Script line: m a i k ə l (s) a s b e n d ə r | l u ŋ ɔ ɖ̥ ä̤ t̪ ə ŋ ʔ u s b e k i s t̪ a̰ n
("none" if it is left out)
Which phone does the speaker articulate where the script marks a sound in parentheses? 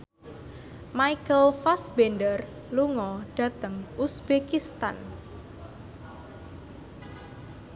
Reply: f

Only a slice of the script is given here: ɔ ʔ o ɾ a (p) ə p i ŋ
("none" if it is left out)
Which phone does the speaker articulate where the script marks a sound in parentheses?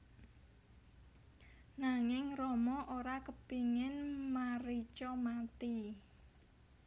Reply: k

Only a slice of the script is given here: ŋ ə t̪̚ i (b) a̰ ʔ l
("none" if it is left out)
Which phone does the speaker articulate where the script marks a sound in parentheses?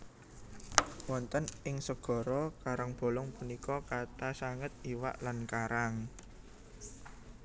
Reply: w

